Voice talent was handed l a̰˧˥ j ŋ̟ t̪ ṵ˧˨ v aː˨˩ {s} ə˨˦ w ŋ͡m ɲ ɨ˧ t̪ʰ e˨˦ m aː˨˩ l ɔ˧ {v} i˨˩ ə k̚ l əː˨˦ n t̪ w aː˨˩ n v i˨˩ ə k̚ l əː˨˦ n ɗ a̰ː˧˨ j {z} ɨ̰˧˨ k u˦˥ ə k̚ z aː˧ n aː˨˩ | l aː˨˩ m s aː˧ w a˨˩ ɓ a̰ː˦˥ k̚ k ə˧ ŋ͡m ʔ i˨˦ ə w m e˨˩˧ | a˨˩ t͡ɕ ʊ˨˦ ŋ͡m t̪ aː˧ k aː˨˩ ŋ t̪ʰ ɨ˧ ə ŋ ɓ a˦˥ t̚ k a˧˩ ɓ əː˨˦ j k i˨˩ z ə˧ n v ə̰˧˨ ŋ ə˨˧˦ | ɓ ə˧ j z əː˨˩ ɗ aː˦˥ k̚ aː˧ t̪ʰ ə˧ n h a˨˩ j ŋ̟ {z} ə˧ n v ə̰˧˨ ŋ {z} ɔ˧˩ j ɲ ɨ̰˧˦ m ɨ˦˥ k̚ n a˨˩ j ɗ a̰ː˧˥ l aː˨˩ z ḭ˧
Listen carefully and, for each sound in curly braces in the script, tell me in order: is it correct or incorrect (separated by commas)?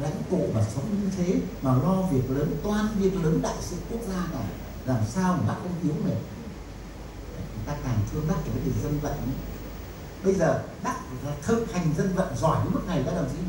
correct, correct, incorrect, correct, correct